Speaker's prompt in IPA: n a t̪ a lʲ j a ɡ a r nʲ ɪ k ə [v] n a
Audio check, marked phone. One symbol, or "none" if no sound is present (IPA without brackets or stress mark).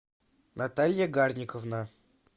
v